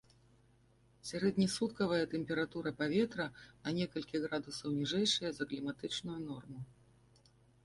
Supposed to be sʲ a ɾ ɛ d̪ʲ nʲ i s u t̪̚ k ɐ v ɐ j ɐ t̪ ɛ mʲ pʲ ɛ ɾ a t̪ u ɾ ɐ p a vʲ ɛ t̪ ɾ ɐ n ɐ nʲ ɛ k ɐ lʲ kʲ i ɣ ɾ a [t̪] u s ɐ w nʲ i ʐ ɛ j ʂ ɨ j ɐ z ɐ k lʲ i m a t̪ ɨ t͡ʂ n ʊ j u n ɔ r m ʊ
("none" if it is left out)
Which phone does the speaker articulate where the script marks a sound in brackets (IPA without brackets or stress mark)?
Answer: d̪